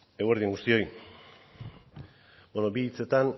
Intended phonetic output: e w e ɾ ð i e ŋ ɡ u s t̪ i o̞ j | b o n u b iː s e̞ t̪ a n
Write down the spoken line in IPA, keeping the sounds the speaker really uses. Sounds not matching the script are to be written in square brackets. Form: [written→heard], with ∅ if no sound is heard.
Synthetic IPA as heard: e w e ɾ ð i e ŋ ɡ u s t̪ i o̞ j | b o n [u→o] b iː [s→t͡s] e̞ t̪ a n